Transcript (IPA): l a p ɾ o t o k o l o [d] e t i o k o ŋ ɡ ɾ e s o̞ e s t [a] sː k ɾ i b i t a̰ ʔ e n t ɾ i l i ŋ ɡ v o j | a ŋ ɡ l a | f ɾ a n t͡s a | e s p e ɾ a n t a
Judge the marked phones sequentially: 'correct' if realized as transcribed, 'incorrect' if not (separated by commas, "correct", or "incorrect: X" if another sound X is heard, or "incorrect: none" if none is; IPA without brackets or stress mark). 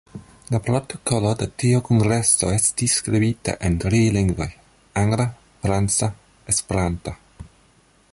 correct, incorrect: i